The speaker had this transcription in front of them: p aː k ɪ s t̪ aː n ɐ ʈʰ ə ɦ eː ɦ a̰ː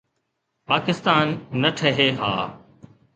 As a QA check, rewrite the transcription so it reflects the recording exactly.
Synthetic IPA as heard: p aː k ɪ s t̪ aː nː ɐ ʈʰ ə ɦ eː ɦ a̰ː